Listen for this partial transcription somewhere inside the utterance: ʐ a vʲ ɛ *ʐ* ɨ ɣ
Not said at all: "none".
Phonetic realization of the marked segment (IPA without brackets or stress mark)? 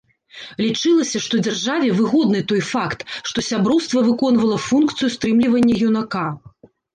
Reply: v